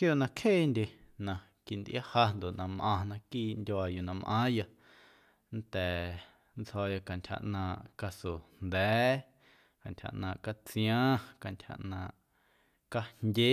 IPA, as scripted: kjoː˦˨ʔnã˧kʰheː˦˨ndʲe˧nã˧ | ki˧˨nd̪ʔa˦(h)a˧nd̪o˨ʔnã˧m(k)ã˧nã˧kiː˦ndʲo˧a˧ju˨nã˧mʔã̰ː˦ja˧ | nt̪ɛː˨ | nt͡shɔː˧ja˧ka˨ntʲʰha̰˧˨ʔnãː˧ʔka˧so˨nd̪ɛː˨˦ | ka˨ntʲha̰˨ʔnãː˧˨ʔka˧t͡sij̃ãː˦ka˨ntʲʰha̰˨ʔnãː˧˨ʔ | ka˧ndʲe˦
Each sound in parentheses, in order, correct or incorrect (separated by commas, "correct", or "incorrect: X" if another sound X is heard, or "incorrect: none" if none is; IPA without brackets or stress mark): correct, incorrect: ʔ